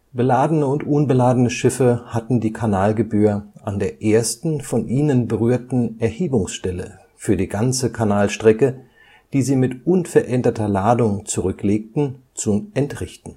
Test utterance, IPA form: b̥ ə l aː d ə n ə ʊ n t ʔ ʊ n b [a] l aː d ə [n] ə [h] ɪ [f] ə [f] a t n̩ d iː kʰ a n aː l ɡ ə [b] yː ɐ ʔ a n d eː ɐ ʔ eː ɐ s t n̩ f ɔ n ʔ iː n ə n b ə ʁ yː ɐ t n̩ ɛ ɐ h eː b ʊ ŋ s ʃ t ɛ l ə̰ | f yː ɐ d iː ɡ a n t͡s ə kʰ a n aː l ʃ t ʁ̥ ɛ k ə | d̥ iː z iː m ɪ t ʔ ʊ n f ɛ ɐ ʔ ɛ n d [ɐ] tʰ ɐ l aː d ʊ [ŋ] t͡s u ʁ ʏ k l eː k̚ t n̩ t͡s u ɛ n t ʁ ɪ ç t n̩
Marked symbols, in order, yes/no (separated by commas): no, yes, no, yes, no, yes, yes, yes